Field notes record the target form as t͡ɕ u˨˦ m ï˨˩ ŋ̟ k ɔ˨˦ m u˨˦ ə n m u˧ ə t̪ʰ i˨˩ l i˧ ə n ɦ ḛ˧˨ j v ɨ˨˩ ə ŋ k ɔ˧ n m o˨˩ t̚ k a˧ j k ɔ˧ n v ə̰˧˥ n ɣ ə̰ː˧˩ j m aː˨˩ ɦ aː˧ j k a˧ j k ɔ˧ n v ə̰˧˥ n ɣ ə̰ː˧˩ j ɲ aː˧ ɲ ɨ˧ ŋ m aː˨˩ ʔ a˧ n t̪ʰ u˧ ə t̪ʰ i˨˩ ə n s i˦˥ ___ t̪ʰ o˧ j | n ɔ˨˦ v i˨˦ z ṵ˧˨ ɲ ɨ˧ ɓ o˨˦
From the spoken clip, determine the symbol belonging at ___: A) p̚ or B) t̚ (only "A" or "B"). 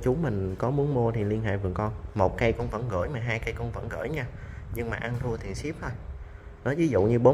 A